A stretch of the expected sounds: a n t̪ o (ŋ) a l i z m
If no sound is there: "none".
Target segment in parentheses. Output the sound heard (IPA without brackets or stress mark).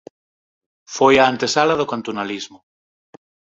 n